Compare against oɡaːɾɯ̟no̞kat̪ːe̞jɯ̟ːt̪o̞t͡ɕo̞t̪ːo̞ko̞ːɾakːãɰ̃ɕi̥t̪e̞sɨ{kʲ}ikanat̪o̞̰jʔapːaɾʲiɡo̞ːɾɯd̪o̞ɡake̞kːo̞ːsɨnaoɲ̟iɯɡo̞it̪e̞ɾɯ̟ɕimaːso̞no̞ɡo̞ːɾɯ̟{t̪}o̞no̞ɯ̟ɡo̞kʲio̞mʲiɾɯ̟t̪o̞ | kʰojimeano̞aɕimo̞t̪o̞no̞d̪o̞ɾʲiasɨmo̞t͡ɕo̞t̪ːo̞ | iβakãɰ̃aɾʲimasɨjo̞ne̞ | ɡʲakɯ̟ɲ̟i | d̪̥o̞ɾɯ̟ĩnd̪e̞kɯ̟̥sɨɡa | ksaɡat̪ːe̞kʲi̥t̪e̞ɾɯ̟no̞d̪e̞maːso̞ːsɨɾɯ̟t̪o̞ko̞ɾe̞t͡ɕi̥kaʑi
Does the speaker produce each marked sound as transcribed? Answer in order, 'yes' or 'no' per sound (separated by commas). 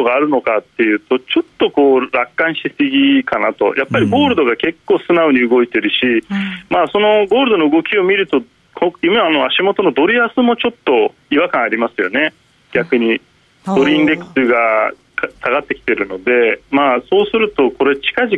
no, no